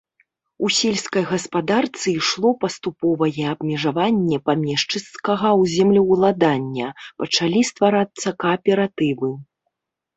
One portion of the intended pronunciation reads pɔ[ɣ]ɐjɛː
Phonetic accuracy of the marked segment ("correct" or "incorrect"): incorrect